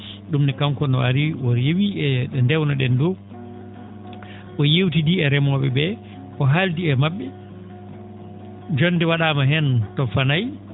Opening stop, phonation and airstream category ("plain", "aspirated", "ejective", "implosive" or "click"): implosive